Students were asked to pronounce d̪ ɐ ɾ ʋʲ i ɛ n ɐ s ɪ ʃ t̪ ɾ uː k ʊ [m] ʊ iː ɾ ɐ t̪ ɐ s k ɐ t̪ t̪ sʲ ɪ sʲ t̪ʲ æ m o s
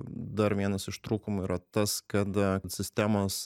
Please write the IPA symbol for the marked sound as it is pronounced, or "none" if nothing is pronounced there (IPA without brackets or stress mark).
m